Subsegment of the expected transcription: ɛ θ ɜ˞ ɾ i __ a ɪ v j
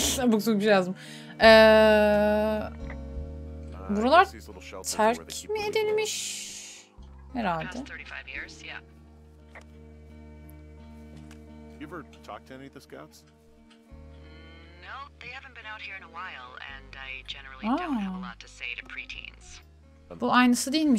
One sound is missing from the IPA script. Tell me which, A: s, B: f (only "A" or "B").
B